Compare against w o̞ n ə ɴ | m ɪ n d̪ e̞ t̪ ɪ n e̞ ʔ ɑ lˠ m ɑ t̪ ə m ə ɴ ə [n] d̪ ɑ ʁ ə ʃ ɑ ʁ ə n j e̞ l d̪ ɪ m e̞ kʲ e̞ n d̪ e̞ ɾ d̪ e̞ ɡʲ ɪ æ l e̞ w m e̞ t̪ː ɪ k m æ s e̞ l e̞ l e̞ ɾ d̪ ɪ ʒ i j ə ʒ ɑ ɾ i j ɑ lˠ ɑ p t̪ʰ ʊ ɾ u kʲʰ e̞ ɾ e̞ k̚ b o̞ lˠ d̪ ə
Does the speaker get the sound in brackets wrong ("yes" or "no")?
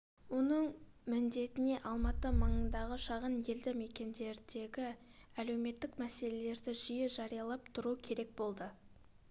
no